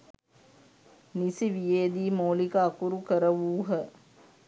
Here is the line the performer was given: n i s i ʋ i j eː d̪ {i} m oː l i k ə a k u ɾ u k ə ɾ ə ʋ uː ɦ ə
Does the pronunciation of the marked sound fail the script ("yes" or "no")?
yes